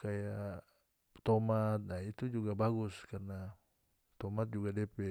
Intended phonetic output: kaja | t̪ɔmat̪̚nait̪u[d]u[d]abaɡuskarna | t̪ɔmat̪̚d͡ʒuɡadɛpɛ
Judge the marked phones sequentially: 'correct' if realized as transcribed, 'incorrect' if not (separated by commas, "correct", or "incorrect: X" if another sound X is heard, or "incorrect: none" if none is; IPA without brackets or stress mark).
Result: incorrect: d͡ʒ, incorrect: ɡ